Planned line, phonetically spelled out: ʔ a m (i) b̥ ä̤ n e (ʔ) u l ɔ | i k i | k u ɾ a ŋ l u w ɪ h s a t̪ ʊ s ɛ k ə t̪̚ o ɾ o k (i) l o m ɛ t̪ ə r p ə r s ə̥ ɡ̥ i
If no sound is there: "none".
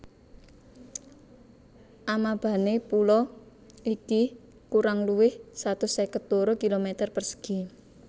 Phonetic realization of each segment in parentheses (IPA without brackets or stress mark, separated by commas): a, p, i